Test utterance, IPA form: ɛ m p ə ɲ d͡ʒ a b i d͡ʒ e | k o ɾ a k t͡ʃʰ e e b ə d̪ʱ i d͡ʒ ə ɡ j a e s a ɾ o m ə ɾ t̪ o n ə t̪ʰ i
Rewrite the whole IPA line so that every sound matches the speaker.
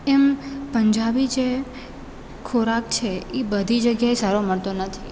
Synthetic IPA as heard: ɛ m p ə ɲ d͡ʒ a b i d͡ʒ e | kʰ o ɾ a k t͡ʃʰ e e b ə d̪ʱ i d͡ʒ ə ɡ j a e s a ɾ o m ə ɭ t̪ o n ə t̪ʰ i